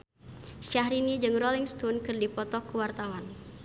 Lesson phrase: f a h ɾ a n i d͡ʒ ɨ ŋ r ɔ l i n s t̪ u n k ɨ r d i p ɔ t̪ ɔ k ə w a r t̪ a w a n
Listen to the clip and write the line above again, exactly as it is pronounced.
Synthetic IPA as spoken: ʃ a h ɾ i n i d͡ʒ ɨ ŋ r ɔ l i ŋ s t̪ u n k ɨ r d i p ɔ t̪ ɔ k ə w a r t̪ a w a n